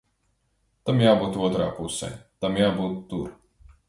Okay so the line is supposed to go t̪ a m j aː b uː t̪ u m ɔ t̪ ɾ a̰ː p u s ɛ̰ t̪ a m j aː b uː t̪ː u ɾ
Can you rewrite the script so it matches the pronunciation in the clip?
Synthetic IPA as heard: t̪ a m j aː b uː t̪ u ɔ t̪ ɾ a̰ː p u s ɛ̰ t̪ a m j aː b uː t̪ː u ɾ